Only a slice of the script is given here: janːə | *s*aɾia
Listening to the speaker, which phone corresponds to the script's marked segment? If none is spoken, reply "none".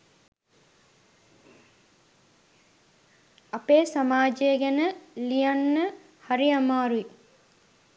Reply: h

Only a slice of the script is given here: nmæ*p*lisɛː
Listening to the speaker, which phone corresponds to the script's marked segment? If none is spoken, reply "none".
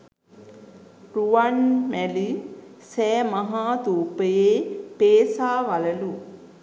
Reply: none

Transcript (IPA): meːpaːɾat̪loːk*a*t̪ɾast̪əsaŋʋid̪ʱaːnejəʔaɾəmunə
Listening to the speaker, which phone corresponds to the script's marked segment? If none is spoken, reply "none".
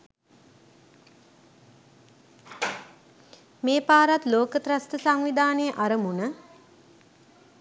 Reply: ə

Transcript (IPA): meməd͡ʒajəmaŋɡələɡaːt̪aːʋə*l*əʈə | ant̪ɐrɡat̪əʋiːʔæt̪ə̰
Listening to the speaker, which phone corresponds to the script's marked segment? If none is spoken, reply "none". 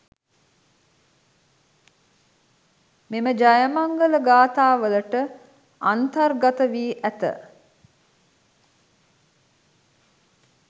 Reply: l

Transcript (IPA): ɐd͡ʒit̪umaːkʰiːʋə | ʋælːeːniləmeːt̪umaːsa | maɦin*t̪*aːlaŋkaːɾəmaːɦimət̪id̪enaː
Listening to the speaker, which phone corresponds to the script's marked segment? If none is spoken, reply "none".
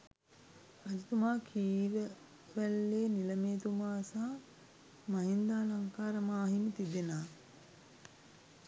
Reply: d̪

